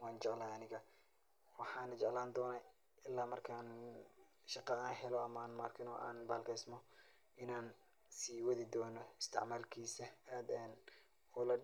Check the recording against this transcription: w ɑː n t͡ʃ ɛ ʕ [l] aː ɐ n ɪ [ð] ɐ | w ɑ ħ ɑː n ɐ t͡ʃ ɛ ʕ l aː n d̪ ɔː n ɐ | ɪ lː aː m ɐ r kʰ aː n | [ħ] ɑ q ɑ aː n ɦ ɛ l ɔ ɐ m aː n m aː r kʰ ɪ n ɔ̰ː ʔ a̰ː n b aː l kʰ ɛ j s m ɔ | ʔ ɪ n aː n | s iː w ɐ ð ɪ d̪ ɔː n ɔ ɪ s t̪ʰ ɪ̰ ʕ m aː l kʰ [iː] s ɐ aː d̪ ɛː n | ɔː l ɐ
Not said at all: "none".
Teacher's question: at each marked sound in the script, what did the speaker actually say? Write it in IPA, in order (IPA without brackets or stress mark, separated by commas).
l, ɣ, ʃ, iː